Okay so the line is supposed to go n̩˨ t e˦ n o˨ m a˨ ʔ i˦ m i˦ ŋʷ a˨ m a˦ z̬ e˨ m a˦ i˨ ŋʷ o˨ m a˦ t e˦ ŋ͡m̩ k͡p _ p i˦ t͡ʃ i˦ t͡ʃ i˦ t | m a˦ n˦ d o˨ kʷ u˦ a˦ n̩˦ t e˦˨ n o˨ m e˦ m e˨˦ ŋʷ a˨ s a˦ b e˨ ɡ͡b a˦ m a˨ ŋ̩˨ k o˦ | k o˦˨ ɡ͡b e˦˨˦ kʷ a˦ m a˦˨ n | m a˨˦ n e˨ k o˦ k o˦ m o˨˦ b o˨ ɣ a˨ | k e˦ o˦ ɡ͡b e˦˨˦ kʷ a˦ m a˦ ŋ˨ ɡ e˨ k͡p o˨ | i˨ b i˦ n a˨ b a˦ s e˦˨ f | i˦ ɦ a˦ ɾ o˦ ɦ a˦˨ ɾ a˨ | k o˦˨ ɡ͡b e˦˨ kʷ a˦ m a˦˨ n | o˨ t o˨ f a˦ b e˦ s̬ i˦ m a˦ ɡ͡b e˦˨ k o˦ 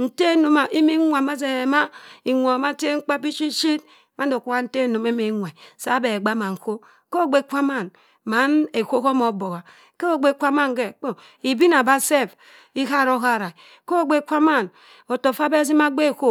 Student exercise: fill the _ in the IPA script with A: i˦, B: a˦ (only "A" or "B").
B